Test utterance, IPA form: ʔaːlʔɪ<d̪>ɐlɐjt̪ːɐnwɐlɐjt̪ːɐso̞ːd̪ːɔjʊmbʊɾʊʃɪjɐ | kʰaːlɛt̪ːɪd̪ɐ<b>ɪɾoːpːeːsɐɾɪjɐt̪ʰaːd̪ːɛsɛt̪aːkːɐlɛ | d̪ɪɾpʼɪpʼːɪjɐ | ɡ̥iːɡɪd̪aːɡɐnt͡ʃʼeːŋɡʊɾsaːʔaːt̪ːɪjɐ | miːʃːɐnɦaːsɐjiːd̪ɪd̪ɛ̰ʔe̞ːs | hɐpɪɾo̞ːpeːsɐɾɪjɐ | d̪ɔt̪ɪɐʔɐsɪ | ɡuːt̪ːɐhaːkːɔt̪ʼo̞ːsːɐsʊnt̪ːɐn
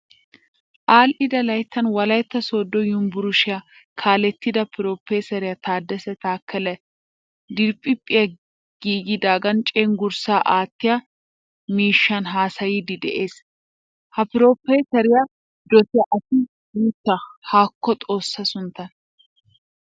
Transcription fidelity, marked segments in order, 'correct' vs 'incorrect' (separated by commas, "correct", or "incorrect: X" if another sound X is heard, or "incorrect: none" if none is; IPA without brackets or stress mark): correct, incorrect: p